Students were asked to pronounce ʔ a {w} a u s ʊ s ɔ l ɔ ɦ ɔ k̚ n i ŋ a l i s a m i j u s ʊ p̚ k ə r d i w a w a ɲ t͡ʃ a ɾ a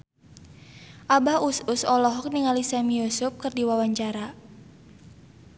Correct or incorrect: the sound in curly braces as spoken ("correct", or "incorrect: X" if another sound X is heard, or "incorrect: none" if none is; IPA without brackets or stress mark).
incorrect: b